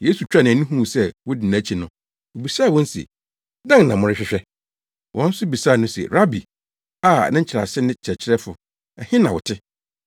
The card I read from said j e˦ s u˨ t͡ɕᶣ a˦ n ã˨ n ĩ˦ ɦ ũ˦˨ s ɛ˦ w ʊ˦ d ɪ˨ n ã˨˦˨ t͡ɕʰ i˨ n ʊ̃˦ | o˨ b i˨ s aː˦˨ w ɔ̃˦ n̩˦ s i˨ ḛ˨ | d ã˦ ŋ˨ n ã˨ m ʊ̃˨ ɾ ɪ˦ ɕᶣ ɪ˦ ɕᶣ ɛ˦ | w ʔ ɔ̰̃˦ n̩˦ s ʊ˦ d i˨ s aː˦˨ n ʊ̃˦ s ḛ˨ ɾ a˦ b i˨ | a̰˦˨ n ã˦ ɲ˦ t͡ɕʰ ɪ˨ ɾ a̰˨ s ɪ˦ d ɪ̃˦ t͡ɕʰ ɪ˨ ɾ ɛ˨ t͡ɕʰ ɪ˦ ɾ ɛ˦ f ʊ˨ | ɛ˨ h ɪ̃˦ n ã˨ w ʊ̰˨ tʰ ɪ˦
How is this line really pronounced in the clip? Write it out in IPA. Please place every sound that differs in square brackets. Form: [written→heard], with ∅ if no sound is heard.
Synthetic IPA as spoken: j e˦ s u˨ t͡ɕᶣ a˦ n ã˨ n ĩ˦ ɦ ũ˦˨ s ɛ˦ w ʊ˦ d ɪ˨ n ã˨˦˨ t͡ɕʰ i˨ n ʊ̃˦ | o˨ b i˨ s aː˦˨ w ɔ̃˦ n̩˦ s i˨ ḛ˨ | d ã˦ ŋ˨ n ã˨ m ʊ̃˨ ɾ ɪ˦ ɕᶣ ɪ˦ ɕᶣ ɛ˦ | w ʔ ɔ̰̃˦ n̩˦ s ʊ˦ [d→b] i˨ s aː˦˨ n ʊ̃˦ s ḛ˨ ɾ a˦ b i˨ | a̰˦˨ n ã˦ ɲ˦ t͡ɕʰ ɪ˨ ɾ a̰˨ s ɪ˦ [d→n] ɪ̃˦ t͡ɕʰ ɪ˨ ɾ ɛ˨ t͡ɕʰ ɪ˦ ɾ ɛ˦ f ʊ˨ | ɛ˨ h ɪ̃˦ n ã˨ w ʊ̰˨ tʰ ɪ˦